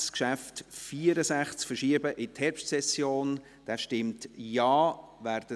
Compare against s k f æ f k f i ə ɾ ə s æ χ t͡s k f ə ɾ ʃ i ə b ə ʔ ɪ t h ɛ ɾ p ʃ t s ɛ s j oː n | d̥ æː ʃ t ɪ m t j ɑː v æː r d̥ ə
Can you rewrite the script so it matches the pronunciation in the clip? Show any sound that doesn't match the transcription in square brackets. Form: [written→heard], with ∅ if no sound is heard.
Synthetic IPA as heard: s k [f→ʃ] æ f [k→t] f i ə ɾ ə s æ χ t͡s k f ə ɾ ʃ i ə b ə ʔ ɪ t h ɛ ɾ p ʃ t s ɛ s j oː n | d̥ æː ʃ t ɪ m t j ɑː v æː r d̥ ə

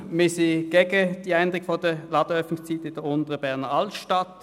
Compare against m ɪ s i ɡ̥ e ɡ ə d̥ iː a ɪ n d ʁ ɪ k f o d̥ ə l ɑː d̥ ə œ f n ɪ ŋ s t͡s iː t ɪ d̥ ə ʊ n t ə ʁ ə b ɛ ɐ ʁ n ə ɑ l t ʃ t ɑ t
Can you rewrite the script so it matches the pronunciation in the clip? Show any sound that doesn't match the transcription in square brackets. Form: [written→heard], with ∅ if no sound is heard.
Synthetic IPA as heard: m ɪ s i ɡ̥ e ɡ ə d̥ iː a ɪ n d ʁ ɪ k f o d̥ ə l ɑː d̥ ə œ f n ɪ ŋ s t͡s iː t ɪ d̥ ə ʊ n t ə ʁ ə b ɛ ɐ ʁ n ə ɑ l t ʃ t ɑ t

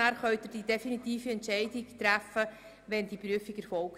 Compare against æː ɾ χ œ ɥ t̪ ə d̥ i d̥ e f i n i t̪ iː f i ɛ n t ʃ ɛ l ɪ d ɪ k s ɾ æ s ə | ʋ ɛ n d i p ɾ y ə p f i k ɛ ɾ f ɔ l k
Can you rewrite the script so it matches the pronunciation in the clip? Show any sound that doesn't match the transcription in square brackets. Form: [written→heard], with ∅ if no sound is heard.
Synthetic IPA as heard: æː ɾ χ œ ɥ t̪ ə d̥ i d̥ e f i n i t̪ iː f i ɛ n t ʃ ɛ [l→∅] ɪ d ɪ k [s→t] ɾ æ [s→f] ə | ʋ ɛ n d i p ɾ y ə [p→∅] f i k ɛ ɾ f ɔ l k

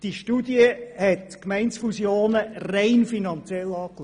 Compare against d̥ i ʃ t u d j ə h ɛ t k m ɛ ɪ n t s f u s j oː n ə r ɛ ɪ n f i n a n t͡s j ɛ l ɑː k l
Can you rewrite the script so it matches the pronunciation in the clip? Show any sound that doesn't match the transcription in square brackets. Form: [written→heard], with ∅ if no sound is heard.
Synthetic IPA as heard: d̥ i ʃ t u d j ə h ɛ t k m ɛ ɪ n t s f u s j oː n ə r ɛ ɪ n f i n [a→ɑ] n t͡s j ɛ l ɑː k l

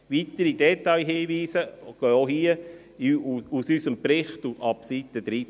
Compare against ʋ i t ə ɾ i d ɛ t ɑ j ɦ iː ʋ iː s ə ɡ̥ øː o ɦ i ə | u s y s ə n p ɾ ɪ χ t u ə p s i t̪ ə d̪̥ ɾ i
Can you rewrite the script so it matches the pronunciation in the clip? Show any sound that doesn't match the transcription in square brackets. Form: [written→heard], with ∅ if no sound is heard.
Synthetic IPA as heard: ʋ i t ə ɾ i d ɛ t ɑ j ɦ iː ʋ iː s ə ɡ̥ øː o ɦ i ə | u s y s ə [n→m] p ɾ ɪ χ t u [ə→ɑ] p s i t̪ ə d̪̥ ɾ i

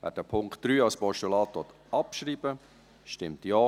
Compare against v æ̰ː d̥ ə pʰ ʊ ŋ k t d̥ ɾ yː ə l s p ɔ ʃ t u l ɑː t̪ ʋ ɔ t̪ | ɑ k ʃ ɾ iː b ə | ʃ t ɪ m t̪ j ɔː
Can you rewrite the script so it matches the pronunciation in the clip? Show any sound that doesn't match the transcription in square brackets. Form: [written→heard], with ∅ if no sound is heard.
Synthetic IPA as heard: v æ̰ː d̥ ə pʰ ʊ ŋ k t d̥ ɾ yː [ə→ɑ] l s p ɔ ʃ t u l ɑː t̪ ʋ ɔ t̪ | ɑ [k→p] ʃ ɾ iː b ə | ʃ t ɪ m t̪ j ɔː

